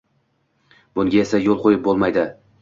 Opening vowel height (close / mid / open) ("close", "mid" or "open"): close